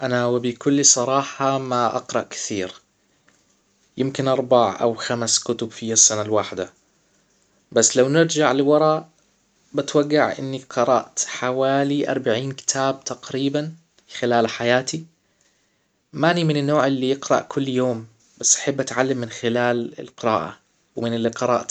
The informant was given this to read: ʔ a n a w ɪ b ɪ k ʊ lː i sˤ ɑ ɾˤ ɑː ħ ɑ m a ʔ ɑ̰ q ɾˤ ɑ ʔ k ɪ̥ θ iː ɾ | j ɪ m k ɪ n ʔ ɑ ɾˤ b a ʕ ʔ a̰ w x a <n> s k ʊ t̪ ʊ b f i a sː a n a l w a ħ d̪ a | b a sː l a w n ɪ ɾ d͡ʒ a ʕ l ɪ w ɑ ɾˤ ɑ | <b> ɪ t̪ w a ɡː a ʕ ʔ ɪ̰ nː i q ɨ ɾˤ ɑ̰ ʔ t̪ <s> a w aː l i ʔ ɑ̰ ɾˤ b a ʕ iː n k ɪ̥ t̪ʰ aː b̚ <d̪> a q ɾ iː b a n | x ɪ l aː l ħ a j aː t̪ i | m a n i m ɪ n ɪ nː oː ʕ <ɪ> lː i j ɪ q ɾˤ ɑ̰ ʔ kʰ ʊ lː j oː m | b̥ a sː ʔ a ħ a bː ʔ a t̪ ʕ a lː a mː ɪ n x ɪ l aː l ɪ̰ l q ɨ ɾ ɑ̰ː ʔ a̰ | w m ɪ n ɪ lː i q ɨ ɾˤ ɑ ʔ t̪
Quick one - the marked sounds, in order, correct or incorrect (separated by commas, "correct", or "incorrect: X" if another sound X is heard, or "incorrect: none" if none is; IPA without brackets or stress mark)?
incorrect: m, correct, incorrect: ħ, incorrect: t̪, correct